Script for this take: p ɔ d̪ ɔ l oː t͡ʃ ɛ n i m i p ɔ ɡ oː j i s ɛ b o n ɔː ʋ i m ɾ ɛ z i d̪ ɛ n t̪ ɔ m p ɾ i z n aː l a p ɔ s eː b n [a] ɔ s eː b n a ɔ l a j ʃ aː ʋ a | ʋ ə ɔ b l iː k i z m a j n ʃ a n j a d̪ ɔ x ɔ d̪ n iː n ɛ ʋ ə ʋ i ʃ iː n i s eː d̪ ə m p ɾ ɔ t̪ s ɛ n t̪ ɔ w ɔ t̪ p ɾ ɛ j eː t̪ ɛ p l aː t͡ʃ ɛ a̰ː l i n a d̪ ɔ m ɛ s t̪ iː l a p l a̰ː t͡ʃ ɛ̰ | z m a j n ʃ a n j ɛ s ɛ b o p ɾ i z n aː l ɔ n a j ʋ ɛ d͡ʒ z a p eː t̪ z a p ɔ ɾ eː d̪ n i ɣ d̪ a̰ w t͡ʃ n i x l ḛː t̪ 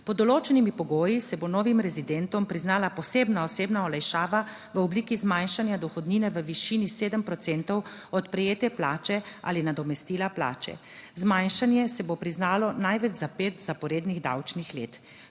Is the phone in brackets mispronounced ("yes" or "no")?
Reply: no